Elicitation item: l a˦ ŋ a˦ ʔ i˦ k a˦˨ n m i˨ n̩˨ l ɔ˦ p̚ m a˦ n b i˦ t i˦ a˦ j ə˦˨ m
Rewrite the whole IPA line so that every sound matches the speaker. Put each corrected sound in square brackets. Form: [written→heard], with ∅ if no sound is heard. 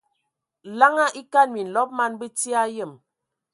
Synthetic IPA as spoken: l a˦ ŋ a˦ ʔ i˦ k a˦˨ n m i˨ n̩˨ l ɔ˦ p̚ m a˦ n b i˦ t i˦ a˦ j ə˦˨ m